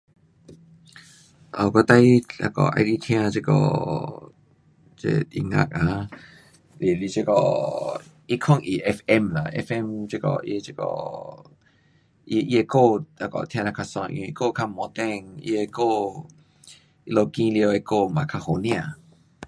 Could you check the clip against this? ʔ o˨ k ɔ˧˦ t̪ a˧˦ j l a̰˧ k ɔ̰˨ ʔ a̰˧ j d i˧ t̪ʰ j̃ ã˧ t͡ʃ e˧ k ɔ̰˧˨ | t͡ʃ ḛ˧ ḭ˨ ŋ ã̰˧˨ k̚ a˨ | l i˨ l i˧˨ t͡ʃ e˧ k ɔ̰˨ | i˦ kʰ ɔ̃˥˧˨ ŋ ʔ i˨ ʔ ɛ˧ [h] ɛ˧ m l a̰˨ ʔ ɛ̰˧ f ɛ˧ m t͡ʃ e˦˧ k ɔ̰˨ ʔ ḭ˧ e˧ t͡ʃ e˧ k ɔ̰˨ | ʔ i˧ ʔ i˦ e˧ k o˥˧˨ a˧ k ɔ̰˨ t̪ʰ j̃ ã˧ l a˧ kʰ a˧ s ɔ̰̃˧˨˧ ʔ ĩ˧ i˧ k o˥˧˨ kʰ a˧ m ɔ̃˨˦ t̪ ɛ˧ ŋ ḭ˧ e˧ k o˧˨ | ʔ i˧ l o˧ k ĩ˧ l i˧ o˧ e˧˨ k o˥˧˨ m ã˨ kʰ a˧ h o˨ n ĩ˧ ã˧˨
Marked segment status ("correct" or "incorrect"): incorrect